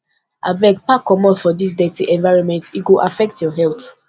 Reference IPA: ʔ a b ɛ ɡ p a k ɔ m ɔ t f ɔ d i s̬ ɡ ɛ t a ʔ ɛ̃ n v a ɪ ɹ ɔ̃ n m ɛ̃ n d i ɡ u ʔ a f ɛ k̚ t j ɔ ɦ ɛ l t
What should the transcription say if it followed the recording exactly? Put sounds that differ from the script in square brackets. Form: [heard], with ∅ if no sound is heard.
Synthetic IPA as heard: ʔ a b ɛ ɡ p a k ɔ m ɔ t f ɔ d i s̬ [d] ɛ t [i] ʔ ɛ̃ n v a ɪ ɹ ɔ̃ n m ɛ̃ n [t] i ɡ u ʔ a f ɛ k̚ t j ɔ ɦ ɛ l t